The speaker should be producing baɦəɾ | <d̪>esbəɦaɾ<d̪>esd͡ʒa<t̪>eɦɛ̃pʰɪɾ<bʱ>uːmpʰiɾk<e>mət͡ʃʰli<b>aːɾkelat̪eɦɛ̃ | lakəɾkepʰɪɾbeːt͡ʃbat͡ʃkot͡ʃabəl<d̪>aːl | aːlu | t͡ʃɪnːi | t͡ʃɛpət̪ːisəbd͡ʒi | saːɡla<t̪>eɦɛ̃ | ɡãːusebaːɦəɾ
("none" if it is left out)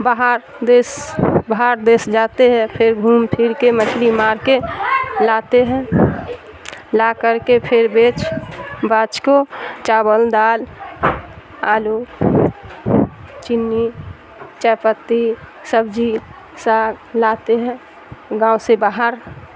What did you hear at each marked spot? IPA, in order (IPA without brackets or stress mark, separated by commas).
d̪, d̪, t̪, ɡʱ, e, m, d̪, t̪